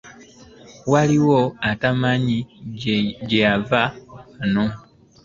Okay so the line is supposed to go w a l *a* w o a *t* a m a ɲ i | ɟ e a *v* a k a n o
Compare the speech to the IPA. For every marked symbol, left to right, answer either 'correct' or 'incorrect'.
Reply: incorrect, correct, correct

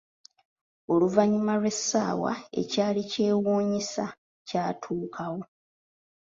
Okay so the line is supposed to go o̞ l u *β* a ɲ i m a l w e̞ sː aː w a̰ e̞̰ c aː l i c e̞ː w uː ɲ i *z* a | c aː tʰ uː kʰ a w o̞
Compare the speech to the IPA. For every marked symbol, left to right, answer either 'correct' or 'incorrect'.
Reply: incorrect, incorrect

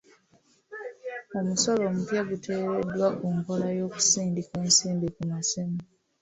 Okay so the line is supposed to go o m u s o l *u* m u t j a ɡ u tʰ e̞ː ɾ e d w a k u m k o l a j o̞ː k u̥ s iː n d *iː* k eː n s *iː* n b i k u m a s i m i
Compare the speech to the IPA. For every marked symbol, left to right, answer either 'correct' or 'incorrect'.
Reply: incorrect, incorrect, correct

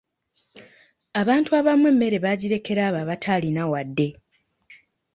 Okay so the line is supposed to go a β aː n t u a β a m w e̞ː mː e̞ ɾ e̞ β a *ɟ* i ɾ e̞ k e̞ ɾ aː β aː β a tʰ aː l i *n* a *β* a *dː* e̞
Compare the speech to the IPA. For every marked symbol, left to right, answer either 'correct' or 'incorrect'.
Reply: correct, correct, incorrect, correct

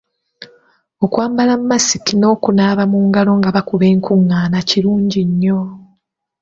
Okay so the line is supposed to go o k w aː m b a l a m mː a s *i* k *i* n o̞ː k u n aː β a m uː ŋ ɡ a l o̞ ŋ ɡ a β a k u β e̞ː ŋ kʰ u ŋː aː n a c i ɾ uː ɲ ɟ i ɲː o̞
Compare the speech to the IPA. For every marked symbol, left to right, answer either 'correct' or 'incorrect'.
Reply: correct, correct

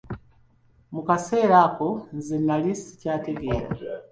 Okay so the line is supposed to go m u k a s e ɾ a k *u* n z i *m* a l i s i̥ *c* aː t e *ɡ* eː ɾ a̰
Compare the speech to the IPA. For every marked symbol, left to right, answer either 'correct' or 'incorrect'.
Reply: incorrect, incorrect, correct, correct

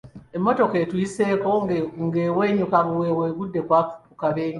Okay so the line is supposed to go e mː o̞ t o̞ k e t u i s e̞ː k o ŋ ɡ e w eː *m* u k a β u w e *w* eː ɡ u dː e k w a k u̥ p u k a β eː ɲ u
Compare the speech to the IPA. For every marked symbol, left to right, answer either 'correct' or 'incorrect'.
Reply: incorrect, correct

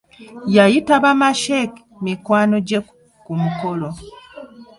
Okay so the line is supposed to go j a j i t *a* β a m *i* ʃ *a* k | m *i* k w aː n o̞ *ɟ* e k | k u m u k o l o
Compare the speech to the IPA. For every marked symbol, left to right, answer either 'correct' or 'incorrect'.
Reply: correct, incorrect, incorrect, correct, correct

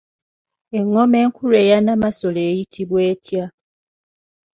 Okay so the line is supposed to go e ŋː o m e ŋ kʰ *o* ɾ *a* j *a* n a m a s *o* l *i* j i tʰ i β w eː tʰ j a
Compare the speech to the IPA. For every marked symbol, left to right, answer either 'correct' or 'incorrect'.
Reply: incorrect, incorrect, correct, correct, incorrect

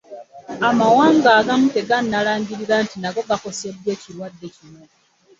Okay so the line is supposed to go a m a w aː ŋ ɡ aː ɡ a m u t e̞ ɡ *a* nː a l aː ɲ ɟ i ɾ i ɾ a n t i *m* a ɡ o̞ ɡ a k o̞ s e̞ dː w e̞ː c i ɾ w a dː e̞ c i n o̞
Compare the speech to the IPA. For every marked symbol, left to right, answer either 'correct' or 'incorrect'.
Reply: correct, incorrect

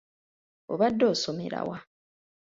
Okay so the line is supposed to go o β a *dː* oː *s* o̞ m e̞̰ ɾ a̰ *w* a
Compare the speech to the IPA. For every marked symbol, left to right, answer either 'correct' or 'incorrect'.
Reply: correct, correct, correct

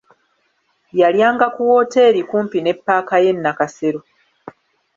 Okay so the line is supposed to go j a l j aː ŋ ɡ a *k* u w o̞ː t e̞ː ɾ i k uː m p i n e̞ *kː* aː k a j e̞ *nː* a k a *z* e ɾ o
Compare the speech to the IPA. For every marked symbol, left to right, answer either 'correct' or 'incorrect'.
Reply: correct, incorrect, correct, incorrect

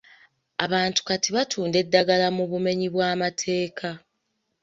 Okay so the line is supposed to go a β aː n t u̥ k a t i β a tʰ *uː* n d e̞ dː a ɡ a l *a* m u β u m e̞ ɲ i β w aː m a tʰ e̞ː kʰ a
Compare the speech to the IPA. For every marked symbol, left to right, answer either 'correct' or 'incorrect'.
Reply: correct, correct

